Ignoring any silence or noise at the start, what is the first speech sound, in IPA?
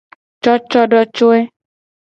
t͡ʃ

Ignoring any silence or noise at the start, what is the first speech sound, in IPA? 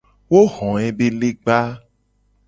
w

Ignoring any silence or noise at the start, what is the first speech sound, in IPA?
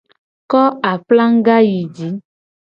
k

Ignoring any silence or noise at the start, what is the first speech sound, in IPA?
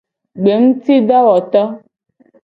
ɡ͡b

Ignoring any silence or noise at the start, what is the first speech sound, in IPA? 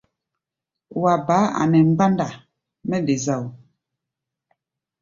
w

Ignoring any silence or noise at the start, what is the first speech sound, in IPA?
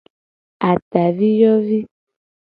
a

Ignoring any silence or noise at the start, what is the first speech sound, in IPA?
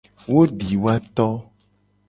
w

